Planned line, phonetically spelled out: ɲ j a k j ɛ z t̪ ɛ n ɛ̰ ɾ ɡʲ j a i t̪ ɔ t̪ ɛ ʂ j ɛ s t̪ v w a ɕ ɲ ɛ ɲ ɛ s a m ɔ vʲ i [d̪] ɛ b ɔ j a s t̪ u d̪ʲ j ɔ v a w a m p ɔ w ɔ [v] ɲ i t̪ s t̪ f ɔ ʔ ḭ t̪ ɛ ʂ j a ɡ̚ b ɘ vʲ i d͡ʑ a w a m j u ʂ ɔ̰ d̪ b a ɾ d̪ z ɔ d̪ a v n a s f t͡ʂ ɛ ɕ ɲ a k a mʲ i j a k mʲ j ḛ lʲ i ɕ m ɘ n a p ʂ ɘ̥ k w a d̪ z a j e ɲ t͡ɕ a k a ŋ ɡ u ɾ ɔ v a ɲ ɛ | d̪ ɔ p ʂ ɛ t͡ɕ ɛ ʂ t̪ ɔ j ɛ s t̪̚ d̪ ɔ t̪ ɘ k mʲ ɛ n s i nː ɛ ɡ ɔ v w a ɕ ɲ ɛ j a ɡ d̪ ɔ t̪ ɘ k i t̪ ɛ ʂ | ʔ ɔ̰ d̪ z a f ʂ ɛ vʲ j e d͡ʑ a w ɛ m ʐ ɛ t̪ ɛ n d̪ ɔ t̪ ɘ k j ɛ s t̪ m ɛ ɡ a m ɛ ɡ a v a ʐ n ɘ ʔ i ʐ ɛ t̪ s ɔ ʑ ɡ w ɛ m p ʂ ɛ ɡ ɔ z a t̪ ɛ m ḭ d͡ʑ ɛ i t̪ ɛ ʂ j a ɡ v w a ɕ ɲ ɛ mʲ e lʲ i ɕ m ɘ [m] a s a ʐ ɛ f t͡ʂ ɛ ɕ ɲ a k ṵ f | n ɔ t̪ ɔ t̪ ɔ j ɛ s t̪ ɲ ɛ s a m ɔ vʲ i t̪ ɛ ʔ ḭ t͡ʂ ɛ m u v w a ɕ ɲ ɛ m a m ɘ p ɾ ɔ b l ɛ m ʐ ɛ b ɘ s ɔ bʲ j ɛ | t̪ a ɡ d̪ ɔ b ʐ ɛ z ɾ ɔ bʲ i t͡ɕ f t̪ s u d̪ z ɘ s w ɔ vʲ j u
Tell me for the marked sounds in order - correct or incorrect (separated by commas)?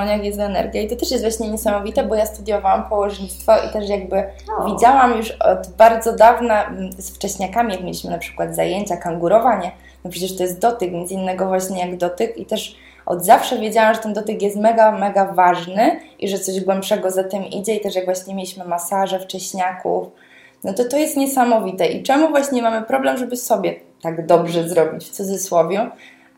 incorrect, incorrect, correct